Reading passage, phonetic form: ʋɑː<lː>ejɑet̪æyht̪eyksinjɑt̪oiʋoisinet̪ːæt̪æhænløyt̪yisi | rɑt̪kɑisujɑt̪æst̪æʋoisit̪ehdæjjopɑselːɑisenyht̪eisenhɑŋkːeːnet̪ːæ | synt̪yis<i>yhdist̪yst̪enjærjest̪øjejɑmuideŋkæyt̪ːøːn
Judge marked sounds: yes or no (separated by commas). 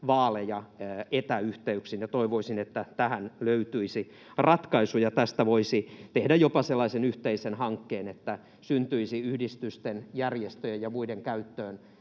no, yes